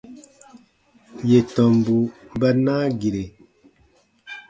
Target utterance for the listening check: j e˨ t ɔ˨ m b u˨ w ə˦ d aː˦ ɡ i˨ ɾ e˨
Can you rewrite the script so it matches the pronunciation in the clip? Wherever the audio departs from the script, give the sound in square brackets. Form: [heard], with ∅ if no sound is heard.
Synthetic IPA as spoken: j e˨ t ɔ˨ m b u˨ [b] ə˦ [n] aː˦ ɡ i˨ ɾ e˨